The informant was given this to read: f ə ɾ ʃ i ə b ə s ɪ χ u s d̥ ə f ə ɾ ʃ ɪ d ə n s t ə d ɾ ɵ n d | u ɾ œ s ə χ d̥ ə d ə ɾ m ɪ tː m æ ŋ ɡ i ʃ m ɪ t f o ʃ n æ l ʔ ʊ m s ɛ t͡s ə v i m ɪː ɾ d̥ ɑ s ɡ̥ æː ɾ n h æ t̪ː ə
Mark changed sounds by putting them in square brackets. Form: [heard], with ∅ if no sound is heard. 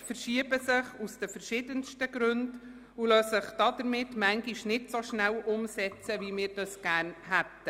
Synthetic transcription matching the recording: f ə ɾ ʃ i ə b ə s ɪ χ u s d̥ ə f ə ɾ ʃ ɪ d ə n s t ə [ɡ] ɾ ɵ n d | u [l] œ s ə χ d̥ [ɑ] d ə ɾ m ɪ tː m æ ŋ ɡ i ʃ [n] ɪ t [s] o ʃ n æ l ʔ ʊ m s ɛ t͡s ə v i m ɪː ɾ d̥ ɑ s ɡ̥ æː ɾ n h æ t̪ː ə